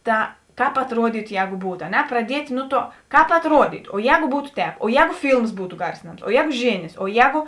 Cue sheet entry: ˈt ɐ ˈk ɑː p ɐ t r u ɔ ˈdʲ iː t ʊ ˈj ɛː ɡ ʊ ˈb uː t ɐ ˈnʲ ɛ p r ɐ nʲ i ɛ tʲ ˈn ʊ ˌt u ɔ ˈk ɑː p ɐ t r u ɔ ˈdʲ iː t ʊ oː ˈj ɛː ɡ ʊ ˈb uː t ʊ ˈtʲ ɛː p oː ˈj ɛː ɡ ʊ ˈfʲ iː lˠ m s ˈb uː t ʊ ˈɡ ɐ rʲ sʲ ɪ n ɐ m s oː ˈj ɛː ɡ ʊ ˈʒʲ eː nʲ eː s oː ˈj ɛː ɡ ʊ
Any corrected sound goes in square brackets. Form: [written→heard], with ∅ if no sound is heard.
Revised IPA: ˈt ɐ ˈk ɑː p ɐ t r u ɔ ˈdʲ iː t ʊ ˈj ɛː ɡ ʊ ˈb uː t ɐ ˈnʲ ɛ p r ɐ [nʲ→dʲ] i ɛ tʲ ˈn ʊ ˌt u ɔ ˈk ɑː p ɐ t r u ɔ ˈdʲ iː t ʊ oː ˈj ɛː ɡ ʊ ˈb uː t ʊ ˈtʲ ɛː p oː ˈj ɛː ɡ ʊ ˈfʲ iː lˠ m s ˈb uː t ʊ ˈɡ ɐ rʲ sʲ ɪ n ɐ m s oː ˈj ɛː ɡ ʊ ˈʒʲ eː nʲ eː s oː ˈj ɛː ɡ ʊ